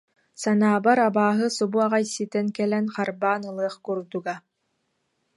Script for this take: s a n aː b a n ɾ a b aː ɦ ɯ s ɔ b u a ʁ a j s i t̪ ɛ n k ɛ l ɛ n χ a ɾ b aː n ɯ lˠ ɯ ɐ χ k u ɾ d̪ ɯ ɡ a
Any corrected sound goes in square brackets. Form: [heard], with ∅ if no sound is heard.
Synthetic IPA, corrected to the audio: s a n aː b a [∅] ɾ a b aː ɦ ɯ s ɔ b u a ʁ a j s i t̪ ɛ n k ɛ l ɛ n χ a ɾ b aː n ɯ lˠ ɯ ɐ χ k u ɾ d̪ [u] ɡ a